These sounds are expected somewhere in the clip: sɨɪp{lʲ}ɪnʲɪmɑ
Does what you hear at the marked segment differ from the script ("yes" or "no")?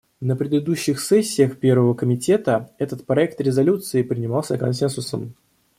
yes